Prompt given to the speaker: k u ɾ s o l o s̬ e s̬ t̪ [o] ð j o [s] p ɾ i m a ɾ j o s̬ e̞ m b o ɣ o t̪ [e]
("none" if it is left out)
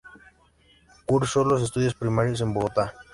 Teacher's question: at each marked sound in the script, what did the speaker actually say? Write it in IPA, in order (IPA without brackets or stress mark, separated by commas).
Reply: u, s, a